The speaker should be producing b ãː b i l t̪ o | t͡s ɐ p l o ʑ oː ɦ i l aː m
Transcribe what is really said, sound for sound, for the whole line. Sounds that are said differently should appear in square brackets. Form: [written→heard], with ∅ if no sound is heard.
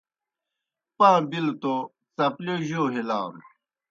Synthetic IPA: [b→p] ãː b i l t̪ o | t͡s ɐ p l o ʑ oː ɦ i l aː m